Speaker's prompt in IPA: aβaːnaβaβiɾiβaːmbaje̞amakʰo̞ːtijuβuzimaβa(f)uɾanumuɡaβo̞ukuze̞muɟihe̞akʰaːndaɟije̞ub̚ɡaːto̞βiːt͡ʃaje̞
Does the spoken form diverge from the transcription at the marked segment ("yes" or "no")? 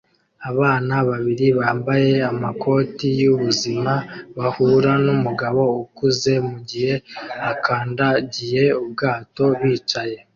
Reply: yes